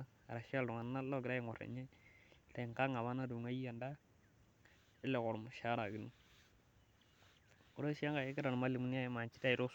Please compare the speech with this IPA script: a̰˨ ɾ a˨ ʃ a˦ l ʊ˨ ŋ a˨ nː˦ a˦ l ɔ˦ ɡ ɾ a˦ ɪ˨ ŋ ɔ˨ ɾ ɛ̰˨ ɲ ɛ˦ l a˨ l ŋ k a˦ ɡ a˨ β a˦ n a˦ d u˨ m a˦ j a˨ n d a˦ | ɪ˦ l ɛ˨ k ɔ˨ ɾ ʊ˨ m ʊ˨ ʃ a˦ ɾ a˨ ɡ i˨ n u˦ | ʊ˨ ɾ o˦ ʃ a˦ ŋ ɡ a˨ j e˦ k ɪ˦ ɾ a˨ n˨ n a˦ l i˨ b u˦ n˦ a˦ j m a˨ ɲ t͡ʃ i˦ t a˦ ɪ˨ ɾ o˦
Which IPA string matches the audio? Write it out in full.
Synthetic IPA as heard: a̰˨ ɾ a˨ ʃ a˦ l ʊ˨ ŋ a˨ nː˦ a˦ l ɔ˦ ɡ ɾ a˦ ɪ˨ ŋ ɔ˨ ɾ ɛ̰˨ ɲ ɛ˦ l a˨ ŋ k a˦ ŋ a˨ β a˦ n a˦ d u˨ ŋ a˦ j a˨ n d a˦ | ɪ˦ l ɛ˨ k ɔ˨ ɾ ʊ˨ m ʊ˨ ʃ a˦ ɾ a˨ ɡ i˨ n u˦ | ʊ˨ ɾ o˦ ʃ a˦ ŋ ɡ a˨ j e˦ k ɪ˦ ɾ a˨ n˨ m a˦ l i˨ m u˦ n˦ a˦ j m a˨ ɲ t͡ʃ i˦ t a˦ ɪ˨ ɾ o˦